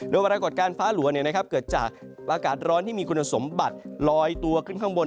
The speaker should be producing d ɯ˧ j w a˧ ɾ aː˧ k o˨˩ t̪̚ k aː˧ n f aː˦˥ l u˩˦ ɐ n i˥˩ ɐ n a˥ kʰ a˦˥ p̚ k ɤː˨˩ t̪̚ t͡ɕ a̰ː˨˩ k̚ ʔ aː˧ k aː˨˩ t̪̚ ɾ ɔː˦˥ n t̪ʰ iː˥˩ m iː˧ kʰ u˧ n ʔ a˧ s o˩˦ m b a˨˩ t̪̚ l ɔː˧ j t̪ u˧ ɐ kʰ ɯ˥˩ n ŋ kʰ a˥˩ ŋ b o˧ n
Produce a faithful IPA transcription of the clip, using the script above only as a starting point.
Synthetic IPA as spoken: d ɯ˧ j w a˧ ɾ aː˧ k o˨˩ t̪̚ k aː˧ n f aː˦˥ l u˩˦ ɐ n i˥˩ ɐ n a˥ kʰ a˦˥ p̚ k ɤː˨˩ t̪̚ t͡ɕ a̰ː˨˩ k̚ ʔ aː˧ k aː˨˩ t̪̚ ɾ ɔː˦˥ n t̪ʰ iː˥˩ m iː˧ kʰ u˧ n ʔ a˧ s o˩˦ m b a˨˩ t̪̚ l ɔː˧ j t̪ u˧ ɐ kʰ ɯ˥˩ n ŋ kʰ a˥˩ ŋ b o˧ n